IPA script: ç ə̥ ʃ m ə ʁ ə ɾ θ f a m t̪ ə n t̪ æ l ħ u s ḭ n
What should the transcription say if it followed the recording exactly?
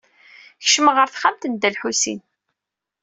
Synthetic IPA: ç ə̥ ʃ m ə ʁ ə ɾ θ χ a m t̪ ə n d̪ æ l ħ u s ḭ n